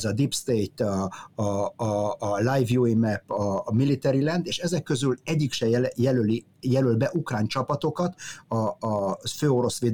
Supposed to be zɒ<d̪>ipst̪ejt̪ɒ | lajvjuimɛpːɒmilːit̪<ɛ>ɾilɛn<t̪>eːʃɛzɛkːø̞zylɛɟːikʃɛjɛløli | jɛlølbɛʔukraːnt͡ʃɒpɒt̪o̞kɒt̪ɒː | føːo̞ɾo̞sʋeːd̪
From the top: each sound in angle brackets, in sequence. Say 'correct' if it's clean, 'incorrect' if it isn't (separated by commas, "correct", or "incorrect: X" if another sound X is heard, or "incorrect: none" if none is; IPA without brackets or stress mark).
correct, correct, incorrect: d̪